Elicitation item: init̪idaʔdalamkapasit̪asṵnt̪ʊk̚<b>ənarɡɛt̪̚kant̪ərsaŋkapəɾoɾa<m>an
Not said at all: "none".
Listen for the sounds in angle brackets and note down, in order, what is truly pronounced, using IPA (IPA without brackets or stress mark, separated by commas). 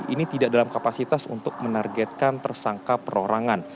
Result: m, ŋ